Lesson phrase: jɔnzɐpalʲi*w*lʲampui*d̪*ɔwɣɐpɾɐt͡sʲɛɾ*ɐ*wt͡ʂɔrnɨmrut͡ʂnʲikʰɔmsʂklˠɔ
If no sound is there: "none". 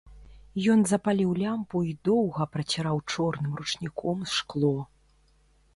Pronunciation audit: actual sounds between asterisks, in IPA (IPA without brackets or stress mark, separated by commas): w, d̪, a